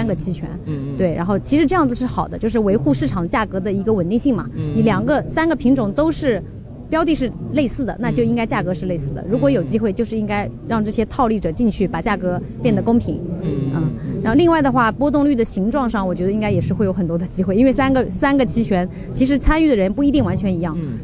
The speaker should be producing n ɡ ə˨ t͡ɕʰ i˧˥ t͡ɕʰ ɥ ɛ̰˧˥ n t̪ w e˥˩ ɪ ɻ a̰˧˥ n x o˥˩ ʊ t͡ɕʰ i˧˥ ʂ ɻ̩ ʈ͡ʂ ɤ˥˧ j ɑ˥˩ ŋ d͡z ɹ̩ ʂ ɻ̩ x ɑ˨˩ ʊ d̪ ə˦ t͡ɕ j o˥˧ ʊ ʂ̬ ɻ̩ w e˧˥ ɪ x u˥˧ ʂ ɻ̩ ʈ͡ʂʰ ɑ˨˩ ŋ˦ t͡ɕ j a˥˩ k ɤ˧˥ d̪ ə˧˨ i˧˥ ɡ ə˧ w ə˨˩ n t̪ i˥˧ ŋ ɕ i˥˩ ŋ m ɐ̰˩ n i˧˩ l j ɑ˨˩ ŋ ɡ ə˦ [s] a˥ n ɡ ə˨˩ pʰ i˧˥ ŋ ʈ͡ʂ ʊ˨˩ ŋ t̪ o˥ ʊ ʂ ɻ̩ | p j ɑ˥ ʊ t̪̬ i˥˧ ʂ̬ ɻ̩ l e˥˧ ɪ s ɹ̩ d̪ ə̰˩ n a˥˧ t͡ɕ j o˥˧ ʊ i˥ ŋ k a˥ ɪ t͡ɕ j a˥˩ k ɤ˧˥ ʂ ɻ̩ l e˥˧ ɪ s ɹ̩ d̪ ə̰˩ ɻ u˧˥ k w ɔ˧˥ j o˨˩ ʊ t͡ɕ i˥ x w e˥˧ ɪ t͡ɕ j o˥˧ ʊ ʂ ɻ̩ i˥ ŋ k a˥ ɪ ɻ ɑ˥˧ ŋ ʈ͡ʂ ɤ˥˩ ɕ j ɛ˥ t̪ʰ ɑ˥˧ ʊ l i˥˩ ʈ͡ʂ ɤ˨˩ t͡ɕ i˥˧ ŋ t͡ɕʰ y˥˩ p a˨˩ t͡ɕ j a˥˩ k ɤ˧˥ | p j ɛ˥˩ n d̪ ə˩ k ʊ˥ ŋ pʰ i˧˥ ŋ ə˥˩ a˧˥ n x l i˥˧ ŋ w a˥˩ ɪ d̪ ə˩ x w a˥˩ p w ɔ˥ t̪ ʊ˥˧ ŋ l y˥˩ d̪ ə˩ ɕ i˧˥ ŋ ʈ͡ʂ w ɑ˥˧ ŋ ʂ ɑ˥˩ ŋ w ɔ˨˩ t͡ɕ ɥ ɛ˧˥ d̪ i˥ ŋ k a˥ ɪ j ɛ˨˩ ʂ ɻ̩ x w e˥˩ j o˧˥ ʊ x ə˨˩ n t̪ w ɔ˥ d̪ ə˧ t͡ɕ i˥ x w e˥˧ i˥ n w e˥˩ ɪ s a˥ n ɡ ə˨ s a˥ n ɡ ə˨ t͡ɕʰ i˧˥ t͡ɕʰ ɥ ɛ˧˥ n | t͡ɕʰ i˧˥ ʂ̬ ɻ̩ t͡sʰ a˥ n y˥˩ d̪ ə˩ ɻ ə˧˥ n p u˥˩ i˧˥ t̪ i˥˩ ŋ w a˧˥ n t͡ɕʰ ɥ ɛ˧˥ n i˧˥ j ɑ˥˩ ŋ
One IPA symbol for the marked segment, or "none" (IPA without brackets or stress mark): s